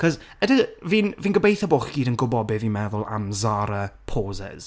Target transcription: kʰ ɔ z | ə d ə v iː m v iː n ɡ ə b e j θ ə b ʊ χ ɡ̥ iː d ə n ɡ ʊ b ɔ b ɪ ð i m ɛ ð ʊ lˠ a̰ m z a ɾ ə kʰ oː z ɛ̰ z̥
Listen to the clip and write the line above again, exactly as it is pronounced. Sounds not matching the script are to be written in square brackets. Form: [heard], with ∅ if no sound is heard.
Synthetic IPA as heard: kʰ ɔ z | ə d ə v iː [n] v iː n ɡ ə b e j θ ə b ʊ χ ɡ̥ iː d ə n ɡ ʊ b ɔ b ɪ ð i m ɛ ð ʊ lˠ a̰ m z a ɾ ə [pʰ] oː z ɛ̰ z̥